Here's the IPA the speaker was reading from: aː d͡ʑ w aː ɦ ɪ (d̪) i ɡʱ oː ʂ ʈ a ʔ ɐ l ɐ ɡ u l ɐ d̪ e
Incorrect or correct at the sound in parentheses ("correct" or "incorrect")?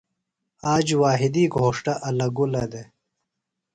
correct